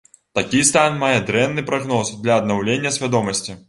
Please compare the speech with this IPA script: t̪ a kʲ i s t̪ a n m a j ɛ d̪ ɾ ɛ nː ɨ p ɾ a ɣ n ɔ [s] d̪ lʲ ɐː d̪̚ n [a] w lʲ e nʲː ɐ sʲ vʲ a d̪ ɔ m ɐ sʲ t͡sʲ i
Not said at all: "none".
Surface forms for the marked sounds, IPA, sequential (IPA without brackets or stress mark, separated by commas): s, a